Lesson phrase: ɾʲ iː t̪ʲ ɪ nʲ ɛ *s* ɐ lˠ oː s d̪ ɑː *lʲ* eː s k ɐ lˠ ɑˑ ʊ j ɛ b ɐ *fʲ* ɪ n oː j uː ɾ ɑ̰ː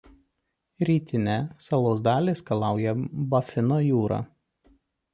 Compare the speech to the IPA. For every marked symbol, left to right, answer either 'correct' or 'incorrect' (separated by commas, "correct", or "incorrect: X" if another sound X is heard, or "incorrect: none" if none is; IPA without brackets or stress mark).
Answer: correct, correct, correct